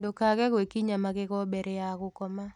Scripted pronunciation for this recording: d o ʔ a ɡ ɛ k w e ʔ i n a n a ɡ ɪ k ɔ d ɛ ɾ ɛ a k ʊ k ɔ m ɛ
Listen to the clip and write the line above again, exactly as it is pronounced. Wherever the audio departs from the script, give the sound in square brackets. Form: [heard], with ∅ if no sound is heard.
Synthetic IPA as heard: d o [k] a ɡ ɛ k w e [k] i [ɲ] a [m] a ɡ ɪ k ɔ [b] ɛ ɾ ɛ a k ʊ k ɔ m [a]